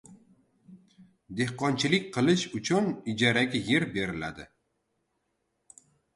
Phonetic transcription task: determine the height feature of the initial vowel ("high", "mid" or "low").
mid